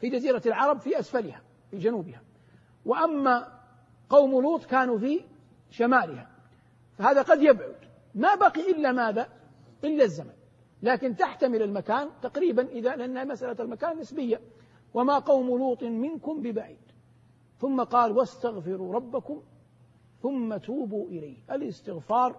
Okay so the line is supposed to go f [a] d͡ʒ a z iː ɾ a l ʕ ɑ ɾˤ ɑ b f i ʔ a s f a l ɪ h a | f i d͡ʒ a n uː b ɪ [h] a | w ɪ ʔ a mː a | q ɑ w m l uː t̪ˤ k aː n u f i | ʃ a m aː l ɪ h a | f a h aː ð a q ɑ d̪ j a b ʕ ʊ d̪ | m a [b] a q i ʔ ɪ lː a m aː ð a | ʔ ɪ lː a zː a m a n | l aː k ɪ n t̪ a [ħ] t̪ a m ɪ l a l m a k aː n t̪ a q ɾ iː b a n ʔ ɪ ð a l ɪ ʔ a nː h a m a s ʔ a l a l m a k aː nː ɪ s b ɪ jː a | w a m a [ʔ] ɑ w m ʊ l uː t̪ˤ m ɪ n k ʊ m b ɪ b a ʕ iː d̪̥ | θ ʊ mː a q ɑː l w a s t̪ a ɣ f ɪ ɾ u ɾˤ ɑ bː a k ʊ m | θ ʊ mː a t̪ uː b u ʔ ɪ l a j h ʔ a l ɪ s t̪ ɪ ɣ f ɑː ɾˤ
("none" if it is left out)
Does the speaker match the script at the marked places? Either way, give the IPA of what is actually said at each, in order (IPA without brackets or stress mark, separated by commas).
i, h, b, ħ, q